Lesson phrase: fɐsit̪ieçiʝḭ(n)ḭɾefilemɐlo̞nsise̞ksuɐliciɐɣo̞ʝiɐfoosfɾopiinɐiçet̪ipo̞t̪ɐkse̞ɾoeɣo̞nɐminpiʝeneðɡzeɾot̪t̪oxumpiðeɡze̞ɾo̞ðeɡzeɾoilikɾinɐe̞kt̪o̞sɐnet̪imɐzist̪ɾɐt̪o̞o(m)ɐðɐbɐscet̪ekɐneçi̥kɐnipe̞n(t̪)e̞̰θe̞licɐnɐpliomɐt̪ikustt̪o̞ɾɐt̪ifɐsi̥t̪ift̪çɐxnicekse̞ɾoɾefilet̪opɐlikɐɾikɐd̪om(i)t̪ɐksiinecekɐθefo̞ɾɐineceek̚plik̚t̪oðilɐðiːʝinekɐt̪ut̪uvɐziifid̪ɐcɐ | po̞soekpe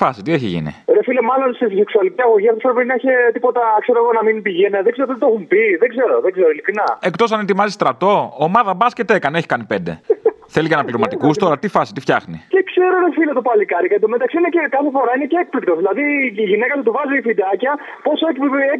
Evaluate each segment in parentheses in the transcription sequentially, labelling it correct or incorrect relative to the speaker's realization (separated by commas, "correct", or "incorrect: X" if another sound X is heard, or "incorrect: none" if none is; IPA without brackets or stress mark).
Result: correct, correct, incorrect: d̪, incorrect: e